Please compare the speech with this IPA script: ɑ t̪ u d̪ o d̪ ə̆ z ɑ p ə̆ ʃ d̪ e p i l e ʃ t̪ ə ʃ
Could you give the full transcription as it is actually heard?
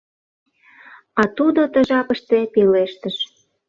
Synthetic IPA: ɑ t̪ u d̪ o t̪ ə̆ ʒ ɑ p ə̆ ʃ t̪ e p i l e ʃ t̪ ə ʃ